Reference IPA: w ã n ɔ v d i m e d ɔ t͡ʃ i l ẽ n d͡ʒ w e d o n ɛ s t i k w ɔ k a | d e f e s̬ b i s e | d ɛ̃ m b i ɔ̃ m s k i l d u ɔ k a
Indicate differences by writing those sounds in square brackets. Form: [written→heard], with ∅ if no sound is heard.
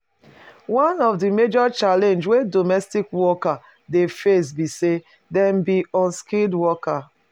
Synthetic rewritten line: w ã n ɔ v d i m e [d→d͡ʒ] ɔ t͡ʃ [i→a] l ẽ n d͡ʒ w e d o [n→m] ɛ s t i k w ɔ k a | d e f e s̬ b i s e | d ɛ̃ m b i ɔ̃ [m→n] s k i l d [u→w] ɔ k a